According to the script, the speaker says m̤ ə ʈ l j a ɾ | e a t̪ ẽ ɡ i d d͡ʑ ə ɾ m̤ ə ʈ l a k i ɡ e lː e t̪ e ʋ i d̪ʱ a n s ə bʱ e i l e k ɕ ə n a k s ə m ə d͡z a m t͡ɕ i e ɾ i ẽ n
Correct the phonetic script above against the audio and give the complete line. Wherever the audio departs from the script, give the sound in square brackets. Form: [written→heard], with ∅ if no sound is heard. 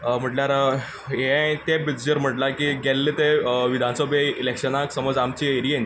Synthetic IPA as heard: m̤ ə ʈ l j a ɾ | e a t̪ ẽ [ɡ→b] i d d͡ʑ ə ɾ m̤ ə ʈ l a k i ɡ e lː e t̪ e ʋ i d̪ʱ a n s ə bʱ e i l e k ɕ ə n a k s ə m ə d͡z a m t͡ɕ i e ɾ i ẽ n